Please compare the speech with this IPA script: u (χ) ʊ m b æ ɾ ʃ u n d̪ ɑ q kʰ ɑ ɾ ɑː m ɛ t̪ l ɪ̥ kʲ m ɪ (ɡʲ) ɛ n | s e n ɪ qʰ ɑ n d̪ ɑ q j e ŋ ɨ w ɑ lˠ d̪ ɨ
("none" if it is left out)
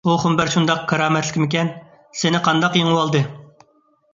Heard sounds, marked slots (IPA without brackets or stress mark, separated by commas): χ, kʲ